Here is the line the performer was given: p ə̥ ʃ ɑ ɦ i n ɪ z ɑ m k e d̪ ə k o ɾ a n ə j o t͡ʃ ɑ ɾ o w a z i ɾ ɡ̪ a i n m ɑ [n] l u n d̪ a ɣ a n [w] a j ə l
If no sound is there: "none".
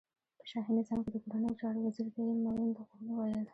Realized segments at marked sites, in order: none, w

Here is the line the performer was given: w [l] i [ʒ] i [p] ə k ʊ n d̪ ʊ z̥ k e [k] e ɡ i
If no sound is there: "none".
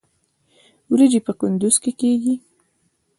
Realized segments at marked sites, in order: ɾ, d͡ʒ, p, k

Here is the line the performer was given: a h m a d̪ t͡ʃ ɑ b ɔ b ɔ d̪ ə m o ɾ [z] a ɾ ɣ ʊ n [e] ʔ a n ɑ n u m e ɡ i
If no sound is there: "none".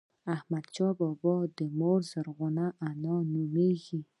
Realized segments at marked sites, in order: z, a

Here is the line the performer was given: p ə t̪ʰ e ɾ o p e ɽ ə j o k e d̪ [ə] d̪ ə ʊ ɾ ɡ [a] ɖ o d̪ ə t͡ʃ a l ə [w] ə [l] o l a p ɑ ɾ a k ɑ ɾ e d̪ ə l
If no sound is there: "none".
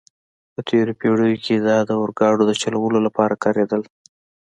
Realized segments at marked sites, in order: ɑ, ɑ, w, l

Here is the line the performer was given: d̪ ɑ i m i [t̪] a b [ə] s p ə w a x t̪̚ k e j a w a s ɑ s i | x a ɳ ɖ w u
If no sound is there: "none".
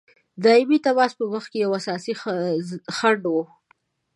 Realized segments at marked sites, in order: t̪, ɑ

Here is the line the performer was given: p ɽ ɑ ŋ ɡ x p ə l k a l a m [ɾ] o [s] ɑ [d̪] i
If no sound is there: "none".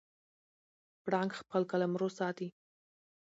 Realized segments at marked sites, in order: ɾ, s, t̪

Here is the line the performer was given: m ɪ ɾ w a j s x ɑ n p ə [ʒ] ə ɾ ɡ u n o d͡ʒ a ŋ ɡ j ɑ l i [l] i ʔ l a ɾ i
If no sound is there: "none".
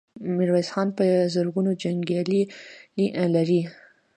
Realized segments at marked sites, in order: z, l

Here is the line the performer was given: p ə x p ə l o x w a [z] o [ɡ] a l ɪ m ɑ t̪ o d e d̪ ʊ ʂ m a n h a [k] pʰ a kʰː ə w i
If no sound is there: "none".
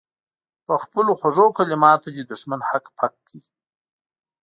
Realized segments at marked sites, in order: ʐ, k, k

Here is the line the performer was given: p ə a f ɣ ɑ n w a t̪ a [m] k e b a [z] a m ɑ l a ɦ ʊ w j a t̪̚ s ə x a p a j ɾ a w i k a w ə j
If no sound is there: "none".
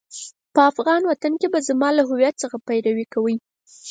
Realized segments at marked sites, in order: n, z

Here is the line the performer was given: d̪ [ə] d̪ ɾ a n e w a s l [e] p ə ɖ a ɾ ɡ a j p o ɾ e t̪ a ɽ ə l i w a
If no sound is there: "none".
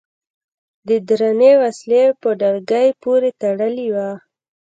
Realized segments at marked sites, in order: ə, e

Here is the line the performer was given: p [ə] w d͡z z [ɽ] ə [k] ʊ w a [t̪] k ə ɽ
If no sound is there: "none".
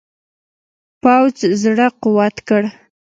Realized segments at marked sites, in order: a, ɽ, q, t̪

